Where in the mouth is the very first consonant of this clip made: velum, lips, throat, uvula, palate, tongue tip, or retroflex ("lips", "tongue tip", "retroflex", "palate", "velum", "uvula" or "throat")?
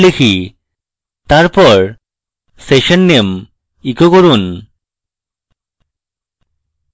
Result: tongue tip